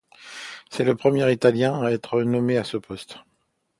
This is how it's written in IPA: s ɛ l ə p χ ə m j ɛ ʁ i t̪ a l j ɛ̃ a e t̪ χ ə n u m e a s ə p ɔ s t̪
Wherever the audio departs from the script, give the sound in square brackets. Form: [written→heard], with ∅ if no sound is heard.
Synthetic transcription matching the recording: s ɛ l ə p χ ə m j ɛ ʁ i t̪ a l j ɛ̃ a [e→ɛ] t̪ χ ə n [u→ɔ] m e a s ə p ɔ s t̪